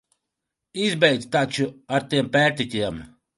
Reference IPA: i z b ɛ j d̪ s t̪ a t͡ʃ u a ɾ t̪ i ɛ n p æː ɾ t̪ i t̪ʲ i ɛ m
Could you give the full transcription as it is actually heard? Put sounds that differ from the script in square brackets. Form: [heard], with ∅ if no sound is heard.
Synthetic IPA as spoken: i z b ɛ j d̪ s t̪ a t͡ʃ u a ɾ t̪ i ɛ [m] p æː ɾ t̪ i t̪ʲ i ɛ m